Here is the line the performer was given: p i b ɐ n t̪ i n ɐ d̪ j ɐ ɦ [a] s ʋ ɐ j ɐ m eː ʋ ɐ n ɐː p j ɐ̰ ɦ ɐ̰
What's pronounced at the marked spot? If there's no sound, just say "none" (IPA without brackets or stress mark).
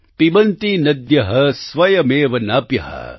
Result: ɐ